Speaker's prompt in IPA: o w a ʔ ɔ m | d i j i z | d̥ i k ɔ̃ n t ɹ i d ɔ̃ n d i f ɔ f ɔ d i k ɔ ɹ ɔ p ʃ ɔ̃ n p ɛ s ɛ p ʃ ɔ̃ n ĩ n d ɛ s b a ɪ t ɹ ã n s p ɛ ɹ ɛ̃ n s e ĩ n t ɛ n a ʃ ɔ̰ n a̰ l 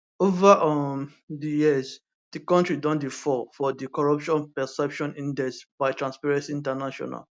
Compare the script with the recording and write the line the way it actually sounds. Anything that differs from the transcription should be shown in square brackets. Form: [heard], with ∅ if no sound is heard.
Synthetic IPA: o [v] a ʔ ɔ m | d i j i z | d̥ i k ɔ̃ n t ɹ i d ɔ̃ n d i f ɔ f ɔ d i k ɔ ɹ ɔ p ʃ ɔ̃ n p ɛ s ɛ p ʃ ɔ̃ n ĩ n d ɛ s b a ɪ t ɹ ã n s p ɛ ɹ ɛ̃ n s [i] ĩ n t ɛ n a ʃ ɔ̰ n a̰ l